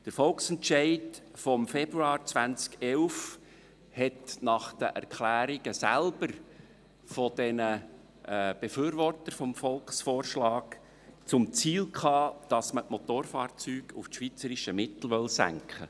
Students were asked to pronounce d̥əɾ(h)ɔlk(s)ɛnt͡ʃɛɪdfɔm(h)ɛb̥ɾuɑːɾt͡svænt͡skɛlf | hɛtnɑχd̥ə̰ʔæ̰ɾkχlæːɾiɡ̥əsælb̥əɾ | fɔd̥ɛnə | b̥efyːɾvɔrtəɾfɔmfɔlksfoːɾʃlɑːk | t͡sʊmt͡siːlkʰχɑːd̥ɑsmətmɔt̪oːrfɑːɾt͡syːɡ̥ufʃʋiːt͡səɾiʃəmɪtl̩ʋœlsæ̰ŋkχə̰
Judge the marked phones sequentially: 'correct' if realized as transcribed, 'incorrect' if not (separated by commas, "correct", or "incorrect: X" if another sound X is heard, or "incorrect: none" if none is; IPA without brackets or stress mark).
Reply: incorrect: f, correct, incorrect: f